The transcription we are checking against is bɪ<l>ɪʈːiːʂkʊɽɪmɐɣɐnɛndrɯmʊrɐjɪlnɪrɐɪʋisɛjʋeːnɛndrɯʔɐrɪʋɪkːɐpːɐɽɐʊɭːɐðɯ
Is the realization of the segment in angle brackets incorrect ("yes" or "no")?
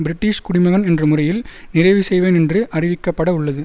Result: yes